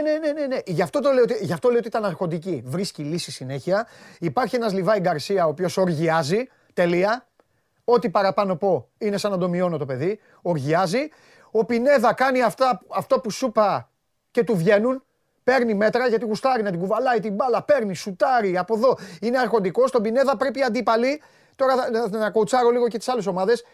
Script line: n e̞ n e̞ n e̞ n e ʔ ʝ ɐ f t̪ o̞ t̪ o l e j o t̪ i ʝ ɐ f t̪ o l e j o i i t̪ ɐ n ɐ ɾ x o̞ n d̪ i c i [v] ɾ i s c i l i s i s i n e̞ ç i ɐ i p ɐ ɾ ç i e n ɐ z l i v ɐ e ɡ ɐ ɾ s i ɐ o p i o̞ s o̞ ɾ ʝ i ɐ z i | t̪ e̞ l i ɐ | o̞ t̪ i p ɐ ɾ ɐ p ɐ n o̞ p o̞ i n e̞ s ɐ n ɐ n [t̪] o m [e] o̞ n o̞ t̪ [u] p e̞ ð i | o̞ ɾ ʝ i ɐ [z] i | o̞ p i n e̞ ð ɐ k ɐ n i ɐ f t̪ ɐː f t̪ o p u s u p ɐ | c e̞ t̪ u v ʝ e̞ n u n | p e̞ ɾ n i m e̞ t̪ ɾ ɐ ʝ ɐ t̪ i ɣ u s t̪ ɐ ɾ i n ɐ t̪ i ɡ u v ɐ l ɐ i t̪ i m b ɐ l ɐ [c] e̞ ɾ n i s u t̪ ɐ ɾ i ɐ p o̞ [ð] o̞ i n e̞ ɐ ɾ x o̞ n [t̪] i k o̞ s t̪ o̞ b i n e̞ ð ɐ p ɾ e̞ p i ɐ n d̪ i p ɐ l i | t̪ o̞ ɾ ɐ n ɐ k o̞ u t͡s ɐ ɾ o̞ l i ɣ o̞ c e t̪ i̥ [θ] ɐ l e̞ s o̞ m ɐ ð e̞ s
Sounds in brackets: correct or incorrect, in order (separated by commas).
correct, incorrect, incorrect, incorrect, correct, incorrect, correct, incorrect, incorrect